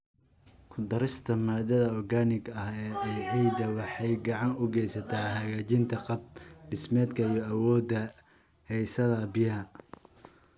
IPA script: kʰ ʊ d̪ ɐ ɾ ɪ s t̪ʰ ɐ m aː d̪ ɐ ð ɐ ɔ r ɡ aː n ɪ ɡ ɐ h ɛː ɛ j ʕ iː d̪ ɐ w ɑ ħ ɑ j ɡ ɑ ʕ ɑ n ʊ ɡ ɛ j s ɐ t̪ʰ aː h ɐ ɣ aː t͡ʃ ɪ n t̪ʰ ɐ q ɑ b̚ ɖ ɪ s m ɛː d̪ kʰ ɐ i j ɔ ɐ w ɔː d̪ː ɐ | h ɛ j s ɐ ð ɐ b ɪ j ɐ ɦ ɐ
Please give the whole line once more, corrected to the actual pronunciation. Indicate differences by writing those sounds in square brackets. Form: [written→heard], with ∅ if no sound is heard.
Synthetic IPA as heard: kʰ ʊ d̪ ɐ ɾ ɪ s t̪ʰ ɐ m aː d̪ ɐ ð ɐ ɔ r ɡ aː n ɪ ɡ ɐ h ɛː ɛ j ʕ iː d̪ ɐ w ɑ ħ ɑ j ɡ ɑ ʕ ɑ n ʊ ɡ ɛ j s ɐ t̪ʰ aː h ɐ ɣ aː t͡ʃ ɪ n t̪ʰ ɐ q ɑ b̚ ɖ ɪ s m ɛː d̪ kʰ ɐ i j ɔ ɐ w ɔː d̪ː ɐ | h ɛ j s ɐ ð ɐ b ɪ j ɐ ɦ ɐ